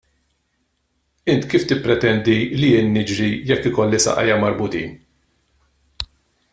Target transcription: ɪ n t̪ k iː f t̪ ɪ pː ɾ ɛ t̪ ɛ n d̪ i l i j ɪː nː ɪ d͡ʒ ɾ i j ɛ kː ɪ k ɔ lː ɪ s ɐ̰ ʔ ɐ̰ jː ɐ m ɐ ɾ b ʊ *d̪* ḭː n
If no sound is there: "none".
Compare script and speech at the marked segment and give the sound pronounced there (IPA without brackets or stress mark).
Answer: t̪